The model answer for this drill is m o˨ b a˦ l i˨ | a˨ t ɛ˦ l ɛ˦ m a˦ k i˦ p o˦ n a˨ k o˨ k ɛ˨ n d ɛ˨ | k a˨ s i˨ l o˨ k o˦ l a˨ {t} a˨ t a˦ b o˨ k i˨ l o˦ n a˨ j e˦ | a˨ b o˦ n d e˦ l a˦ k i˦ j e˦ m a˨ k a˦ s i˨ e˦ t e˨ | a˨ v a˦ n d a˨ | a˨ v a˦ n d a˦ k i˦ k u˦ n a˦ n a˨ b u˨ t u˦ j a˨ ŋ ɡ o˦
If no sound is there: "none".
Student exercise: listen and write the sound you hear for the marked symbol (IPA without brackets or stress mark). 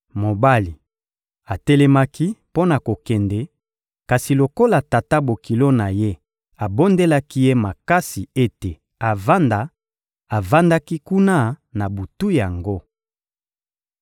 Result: t